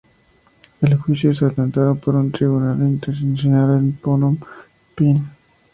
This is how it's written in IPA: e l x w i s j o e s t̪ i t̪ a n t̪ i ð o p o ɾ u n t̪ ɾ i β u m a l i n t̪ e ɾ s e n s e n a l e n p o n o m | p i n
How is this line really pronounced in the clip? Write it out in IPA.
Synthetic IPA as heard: e l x w i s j o e s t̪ a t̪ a n t̪ a ð o p o ɾ u n t̪ ɾ i β u n a l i n t̪ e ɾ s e n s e n a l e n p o n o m | p i n